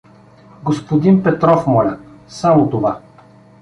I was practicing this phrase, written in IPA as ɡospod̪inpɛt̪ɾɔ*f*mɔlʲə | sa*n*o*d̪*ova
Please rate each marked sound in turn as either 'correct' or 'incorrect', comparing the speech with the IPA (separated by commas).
correct, incorrect, incorrect